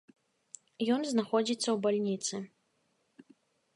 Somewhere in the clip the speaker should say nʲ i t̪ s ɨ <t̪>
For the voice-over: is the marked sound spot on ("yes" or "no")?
no